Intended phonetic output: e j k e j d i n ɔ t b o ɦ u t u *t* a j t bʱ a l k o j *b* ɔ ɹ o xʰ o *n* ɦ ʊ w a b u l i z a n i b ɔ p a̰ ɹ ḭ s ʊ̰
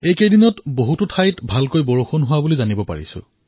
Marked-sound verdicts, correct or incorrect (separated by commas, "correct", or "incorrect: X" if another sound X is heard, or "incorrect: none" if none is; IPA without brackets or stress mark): incorrect: tʰ, correct, correct